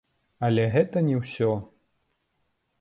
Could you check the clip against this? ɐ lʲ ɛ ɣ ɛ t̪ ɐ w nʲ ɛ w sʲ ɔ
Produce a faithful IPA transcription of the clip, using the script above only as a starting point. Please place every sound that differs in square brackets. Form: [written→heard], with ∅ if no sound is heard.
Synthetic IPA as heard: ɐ lʲ ɛ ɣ ɛ t̪ ɐ [w→∅] nʲ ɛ w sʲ ɔ